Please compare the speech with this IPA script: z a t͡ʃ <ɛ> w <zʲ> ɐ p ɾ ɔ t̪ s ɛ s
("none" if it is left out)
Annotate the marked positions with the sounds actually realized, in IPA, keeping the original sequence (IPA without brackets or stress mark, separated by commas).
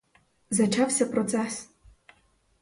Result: a, sʲ